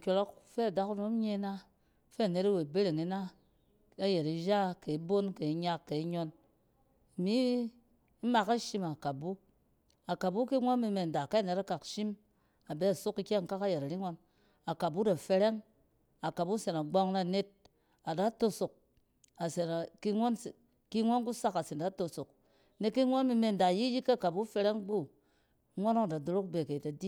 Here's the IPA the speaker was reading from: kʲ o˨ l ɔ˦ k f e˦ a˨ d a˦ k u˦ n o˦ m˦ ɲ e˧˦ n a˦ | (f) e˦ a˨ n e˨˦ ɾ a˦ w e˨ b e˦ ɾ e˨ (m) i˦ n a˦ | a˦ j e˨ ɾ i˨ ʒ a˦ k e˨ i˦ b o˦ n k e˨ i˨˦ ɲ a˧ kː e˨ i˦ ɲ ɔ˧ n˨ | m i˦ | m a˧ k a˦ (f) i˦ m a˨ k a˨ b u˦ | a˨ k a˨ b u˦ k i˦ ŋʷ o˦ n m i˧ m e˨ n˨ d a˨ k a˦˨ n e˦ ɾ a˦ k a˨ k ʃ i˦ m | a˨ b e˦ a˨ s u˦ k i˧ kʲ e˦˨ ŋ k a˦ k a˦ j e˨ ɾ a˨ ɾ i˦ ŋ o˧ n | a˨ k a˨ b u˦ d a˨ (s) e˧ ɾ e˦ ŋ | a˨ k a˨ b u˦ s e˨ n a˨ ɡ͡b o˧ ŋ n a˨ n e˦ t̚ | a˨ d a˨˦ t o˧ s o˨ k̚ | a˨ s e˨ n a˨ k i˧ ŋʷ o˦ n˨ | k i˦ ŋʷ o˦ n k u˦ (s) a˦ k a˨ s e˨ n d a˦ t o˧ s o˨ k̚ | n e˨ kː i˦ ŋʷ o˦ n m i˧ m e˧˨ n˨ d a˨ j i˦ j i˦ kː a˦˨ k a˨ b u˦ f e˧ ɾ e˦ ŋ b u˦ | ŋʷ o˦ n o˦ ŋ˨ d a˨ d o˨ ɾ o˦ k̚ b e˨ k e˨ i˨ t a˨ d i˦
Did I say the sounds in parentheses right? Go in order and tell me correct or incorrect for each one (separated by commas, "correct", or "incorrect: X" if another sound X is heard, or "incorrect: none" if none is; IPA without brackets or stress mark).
correct, incorrect: ŋ, incorrect: ʃ, incorrect: f, correct